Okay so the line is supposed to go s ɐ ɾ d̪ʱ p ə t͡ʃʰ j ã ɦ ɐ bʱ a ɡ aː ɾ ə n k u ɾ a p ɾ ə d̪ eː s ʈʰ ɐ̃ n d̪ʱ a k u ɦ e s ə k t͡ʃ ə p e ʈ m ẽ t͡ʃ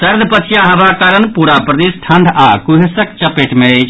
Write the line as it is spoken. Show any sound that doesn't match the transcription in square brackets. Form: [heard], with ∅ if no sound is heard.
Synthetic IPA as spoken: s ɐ ɾ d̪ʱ p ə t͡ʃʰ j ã ɦ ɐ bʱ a [k] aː ɾ ə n [p] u ɾ a p ɾ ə d̪ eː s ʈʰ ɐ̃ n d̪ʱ a k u ɦ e s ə k t͡ʃ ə p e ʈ m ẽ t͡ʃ